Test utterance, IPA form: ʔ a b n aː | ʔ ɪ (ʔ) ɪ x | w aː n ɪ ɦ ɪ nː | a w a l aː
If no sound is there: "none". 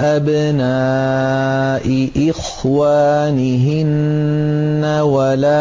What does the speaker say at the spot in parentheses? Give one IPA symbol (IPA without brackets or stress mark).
ʔ